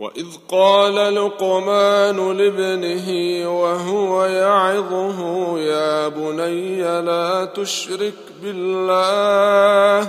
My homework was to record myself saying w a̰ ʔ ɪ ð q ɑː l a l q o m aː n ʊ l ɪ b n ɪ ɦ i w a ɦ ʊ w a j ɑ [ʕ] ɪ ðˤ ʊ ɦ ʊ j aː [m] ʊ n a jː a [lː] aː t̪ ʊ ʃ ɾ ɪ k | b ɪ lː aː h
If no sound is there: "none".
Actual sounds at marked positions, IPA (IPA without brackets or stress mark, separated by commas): ʕ, b, l